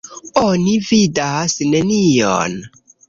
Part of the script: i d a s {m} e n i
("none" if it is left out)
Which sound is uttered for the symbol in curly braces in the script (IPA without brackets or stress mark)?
n